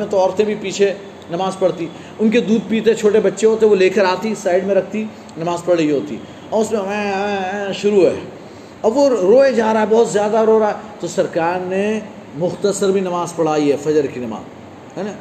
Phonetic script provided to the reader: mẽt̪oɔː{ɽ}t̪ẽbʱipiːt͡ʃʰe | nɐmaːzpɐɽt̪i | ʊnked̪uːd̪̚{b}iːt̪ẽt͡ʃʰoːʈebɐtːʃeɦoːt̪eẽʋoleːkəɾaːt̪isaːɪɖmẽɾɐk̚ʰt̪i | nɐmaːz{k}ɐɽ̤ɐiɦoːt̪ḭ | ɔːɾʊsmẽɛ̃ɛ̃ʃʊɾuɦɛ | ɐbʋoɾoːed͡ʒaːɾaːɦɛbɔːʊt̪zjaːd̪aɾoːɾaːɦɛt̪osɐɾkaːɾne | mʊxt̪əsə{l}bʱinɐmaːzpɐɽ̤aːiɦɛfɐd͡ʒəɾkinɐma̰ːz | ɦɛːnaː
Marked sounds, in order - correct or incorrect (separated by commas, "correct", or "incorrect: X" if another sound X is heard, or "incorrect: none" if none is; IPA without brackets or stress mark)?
incorrect: ɾ, incorrect: p, incorrect: p, incorrect: ɾ